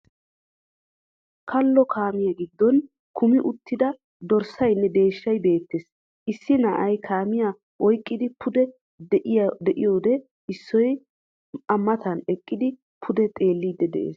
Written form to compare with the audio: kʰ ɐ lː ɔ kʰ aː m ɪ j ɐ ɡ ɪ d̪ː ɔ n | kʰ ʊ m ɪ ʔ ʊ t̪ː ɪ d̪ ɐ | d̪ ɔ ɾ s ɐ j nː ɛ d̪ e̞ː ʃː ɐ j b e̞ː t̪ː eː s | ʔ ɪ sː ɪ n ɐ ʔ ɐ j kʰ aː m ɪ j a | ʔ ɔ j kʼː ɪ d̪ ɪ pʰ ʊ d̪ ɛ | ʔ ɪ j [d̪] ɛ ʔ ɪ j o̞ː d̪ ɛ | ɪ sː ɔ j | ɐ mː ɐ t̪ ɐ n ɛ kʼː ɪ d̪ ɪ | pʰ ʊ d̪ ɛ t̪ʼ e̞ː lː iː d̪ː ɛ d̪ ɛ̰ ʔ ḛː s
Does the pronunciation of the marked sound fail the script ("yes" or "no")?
no